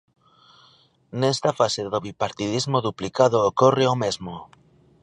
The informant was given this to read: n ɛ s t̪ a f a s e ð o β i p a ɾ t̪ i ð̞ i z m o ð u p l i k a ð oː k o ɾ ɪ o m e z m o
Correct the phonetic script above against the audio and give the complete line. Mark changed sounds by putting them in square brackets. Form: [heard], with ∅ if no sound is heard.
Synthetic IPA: n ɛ s t̪ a f a s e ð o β i p a ɾ t̪ i ð̞ i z m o ð u p l i k a ð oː k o [r] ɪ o m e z m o